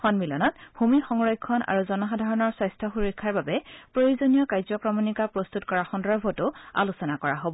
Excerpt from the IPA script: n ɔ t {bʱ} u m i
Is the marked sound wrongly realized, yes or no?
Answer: no